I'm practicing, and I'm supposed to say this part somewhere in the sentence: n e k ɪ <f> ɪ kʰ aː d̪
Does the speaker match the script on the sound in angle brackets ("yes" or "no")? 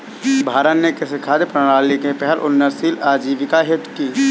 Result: no